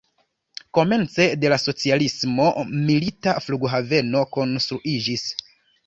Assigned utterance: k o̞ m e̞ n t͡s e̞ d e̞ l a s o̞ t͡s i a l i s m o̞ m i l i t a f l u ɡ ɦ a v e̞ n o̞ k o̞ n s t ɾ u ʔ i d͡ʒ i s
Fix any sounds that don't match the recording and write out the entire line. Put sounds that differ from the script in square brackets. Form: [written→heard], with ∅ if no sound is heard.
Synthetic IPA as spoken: k o̞ m e̞ n t͡s e̞ d e̞ l a s o̞ t͡s i a l i s m o̞ m i l i t a f l u ɡ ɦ a v e̞ n o̞ k o̞ n s t ɾ u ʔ i d͡ʒ i s